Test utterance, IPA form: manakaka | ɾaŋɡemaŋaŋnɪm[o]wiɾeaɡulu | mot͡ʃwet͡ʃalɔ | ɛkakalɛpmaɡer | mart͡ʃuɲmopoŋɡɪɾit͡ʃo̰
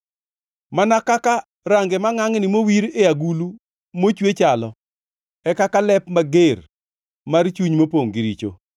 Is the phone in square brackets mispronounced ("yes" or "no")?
no